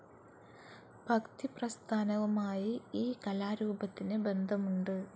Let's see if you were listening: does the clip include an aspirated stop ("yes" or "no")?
yes